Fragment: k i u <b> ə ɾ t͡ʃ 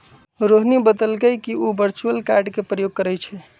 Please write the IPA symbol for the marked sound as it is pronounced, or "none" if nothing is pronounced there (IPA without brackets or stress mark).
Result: b